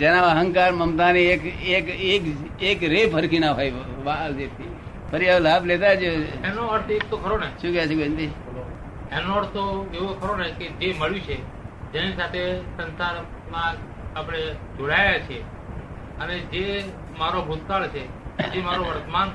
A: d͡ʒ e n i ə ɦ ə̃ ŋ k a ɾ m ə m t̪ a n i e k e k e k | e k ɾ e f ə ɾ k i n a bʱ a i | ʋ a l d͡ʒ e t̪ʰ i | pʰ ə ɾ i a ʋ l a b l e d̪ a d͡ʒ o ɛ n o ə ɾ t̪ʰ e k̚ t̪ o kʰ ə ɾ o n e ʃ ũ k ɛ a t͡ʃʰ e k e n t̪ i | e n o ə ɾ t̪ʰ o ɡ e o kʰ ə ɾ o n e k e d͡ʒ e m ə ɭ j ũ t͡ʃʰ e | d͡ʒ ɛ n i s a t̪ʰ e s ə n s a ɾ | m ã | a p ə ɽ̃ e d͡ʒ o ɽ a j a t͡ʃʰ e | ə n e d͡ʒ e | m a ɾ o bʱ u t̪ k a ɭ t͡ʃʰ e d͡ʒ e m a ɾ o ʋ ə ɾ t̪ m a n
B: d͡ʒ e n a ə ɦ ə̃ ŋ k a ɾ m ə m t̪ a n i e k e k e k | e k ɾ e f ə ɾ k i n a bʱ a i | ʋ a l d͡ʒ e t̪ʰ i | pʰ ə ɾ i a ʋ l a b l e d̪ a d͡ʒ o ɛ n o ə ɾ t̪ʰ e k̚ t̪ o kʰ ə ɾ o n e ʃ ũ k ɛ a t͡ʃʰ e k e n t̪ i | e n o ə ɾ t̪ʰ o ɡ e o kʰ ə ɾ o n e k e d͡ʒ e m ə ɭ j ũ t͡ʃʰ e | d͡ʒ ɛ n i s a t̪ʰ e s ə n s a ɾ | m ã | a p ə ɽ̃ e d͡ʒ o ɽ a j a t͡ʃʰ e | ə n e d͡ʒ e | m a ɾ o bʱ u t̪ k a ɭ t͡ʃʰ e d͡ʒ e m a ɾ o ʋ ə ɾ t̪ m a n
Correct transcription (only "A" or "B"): B